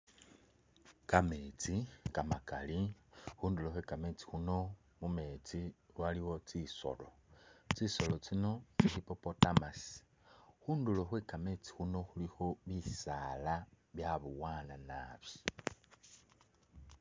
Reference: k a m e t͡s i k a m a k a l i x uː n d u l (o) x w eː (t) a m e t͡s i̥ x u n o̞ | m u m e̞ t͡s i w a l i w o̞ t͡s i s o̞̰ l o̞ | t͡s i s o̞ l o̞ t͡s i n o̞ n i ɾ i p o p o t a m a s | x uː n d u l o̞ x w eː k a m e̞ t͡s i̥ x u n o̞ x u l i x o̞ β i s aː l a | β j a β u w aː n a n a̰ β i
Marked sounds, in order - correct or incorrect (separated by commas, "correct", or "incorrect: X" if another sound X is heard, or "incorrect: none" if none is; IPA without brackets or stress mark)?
correct, incorrect: k